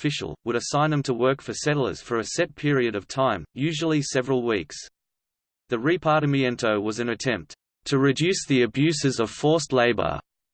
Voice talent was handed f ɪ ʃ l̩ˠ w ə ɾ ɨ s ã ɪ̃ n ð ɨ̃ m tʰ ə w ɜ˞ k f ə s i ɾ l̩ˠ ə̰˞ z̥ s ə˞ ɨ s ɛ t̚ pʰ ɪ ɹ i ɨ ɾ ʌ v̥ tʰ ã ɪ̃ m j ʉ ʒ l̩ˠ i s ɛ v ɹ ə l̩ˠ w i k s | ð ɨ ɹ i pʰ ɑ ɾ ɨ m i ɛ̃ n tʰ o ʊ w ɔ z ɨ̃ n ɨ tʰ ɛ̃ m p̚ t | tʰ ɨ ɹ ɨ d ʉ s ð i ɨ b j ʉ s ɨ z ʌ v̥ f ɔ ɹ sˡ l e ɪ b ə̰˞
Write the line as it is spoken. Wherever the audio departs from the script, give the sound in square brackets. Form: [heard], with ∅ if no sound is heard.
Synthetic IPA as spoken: f ɪ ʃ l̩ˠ w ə ɾ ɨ s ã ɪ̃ n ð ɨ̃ m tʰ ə w ɜ˞ k f ə s [ɛ] ɾ l̩ˠ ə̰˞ z̥ [f] ə˞ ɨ s ɛ t̚ pʰ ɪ ɹ i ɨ ɾ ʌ v̥ tʰ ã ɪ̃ m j ʉ ʒ l̩ˠ i s ɛ v ɹ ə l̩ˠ w i k s | ð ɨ ɹ i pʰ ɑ ɾ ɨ m i ɛ̃ n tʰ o ʊ w [ʌ] z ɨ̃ n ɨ tʰ ɛ̃ m p̚ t | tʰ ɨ ɹ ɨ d ʉ s ð i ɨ b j ʉ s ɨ z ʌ v̥ f ɔ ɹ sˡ l e ɪ b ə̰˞